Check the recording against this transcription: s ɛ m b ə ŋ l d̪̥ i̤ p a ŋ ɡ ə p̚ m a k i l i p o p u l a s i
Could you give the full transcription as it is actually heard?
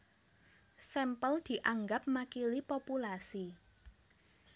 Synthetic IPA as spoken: s ɛ m p ə l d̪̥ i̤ ʔ a ŋ ɡ a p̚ m a k i l i p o p u l a s i

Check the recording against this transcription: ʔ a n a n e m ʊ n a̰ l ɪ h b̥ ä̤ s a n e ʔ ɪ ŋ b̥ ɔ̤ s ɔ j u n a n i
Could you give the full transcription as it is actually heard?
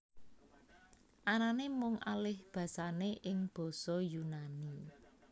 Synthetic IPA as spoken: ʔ a n a n e m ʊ ŋ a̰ l ɪ h b̥ ä̤ s a n e ʔ ɪ ŋ b̥ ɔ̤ s ɔ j u n a n i

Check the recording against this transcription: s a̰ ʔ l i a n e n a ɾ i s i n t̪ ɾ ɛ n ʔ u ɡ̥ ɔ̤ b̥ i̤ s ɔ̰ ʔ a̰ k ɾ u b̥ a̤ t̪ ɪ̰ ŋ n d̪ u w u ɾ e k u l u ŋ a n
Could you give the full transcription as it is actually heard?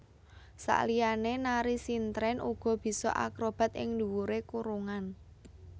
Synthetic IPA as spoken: s a̰ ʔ l i a n e n a ɾ i s i n t̪ ɾ ɛ n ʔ u ɡ̥ ɔ̤ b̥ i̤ s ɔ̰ ʔ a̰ k ɾ o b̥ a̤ t̪ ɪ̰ ŋ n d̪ u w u ɾ e k u ɾ u ŋ a n

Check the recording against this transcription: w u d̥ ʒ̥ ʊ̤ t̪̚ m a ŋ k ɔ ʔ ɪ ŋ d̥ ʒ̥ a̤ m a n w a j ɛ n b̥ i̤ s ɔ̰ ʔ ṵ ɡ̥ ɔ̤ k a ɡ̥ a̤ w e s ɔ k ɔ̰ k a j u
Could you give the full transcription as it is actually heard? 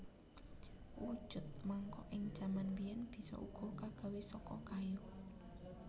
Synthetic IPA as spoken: w u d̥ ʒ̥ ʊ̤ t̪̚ m a ŋ k ɔ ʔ ɪ ŋ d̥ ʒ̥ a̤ m a n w i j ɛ n b̥ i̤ s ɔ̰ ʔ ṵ ɡ̥ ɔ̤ k a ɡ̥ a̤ w e s ɔ k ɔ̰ k a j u

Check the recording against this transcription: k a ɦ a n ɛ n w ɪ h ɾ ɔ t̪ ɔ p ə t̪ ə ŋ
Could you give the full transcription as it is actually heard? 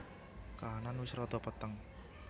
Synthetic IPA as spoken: k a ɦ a n a n w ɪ s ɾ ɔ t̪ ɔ p ə t̪ ə ŋ

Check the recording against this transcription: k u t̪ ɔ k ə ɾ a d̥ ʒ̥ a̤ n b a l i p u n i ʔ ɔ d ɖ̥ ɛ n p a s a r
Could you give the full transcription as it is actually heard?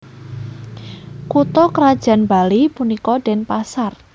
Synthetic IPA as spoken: k u t̪ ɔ k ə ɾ a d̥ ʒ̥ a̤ n b a l i p u n i k ɔ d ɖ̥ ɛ n p a s a r

